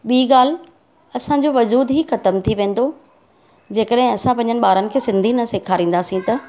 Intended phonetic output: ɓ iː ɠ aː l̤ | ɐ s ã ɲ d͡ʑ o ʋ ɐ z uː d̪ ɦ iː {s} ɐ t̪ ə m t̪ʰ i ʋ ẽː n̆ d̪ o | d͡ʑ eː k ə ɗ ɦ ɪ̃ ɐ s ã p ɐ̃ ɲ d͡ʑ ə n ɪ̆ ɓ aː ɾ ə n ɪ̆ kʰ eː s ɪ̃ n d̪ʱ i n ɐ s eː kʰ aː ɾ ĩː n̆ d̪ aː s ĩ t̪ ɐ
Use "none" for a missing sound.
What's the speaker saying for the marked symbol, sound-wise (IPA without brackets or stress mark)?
x